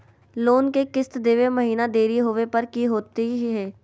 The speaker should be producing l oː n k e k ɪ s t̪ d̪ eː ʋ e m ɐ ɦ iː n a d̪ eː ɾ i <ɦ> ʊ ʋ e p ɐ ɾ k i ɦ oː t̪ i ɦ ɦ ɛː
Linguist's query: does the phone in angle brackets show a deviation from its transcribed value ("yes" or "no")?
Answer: no